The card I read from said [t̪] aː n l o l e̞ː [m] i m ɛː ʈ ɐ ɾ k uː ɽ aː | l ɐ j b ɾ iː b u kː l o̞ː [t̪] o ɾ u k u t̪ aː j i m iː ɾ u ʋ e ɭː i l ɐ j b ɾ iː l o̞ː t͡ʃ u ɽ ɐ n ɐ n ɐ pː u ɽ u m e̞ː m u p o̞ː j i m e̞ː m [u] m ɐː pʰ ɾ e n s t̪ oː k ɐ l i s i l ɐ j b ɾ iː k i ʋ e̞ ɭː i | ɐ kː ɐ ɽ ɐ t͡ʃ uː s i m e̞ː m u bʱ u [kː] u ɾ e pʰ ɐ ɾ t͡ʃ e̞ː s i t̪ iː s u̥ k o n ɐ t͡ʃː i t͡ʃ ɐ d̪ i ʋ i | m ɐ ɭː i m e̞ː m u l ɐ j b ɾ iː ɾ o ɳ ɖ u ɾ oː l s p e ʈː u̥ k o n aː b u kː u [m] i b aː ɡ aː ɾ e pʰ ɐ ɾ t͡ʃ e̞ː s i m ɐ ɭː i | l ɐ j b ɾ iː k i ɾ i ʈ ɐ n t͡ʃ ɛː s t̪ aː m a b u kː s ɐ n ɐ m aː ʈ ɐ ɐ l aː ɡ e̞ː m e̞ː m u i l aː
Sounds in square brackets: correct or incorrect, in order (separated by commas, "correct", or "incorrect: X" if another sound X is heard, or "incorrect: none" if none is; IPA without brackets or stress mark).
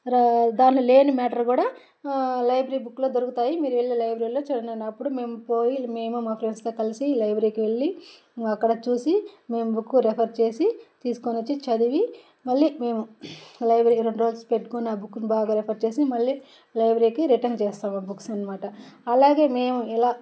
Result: incorrect: d̪, incorrect: n, incorrect: d̪, correct, correct, incorrect: n